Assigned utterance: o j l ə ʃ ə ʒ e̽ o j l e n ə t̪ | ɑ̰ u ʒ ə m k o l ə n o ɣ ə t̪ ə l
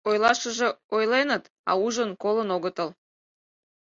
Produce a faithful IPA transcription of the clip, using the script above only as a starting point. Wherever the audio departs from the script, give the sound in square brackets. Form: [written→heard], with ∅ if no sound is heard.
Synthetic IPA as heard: o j l [ə→ɑ] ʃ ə ʒ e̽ o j l e n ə t̪ | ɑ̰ u ʒ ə [m→n] k o l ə n o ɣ ə t̪ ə l